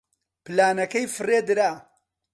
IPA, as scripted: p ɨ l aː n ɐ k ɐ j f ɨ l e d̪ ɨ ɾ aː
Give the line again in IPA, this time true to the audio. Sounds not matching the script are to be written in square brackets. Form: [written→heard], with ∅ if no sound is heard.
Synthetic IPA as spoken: p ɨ l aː n ɐ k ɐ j f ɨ [l→r] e d̪ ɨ ɾ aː